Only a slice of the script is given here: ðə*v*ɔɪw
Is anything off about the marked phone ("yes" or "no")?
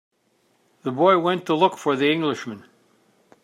yes